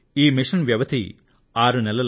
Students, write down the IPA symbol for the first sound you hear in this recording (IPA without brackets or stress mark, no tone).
iː